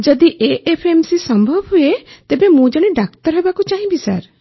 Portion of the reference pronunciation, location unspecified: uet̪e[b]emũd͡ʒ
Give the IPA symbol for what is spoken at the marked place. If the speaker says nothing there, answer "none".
b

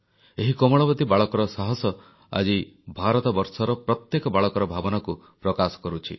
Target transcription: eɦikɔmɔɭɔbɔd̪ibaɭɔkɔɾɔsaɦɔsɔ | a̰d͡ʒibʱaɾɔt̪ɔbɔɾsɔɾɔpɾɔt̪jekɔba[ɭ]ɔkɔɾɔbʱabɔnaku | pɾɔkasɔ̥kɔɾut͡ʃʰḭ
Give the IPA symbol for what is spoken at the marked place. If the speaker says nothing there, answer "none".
ɭ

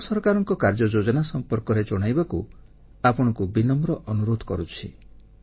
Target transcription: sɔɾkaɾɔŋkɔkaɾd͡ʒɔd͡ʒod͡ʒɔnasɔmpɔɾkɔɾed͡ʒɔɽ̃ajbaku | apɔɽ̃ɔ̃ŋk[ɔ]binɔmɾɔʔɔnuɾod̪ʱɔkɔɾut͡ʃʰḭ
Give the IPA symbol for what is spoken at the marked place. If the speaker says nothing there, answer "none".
u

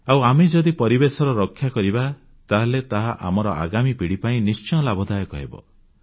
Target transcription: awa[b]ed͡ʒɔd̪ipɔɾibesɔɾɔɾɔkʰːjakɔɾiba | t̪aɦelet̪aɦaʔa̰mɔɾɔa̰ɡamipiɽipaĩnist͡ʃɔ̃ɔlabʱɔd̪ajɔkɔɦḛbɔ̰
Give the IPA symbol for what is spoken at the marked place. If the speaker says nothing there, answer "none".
m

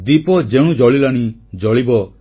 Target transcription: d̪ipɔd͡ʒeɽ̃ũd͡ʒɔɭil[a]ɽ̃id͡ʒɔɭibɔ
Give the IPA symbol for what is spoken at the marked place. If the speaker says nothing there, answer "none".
a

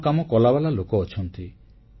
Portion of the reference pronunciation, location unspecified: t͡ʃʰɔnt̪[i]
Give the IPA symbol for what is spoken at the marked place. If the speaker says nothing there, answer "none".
i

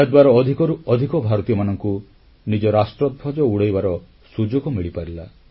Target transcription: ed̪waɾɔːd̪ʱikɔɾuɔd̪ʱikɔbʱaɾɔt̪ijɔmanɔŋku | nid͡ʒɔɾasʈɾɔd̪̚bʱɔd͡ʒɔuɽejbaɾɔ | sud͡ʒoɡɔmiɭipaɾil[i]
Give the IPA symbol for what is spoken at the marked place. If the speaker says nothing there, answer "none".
a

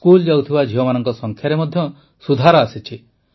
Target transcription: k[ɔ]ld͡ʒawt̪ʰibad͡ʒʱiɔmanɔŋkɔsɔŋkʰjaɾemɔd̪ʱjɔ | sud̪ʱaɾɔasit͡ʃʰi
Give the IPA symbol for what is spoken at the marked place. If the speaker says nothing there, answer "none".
u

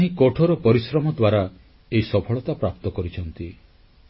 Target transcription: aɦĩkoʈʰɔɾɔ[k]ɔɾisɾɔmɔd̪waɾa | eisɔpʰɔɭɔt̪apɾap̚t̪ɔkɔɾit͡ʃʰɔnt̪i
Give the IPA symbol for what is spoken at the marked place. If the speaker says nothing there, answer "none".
p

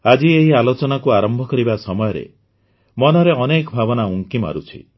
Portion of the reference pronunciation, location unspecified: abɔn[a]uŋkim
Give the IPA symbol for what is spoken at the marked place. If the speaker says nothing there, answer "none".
a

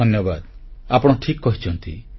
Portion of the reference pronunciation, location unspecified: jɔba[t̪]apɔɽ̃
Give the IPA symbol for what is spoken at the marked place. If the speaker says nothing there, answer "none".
d̪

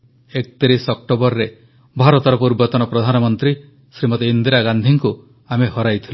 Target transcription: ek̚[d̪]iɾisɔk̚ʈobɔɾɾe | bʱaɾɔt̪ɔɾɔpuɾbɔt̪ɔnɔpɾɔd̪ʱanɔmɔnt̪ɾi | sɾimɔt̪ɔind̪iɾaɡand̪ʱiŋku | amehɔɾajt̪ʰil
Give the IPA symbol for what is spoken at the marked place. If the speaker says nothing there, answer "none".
t̪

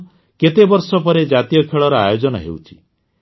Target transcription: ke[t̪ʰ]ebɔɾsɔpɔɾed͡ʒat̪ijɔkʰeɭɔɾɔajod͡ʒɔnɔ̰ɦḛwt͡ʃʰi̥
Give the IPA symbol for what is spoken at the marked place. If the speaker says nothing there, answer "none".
t̪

